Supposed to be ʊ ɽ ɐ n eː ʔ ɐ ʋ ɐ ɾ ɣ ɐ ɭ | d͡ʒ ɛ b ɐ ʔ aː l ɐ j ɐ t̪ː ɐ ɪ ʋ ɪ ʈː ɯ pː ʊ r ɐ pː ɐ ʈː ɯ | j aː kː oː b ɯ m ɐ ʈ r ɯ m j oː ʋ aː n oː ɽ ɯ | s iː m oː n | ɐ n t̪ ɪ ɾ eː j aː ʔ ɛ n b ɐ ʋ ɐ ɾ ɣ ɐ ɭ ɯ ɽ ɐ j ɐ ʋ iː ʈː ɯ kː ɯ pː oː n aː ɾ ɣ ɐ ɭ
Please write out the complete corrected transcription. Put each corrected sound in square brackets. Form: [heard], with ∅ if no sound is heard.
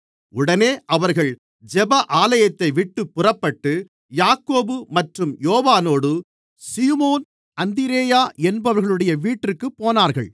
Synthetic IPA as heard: ʊ ɽ ɐ n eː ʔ ɐ ʋ ɐ ɾ ɣ ɐ ɭ | d͡ʒ ɛ b ɐ ʔ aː l ɐ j ɐ t̪ː ɐ ɪ ʋ ɪ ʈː ɯ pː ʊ r ɐ pː ɐ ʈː ɯ | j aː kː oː b ɯ m ɐ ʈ r ɯ m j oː ʋ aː n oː ɽ ɯ | s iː m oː n | ɐ n [d̪] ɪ ɾ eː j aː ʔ ɛ n b ɐ ʋ ɐ ɾ ɣ ɐ ɭ ɯ ɽ ɐ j ɐ ʋ iː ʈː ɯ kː ɯ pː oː n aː ɾ ɣ ɐ ɭ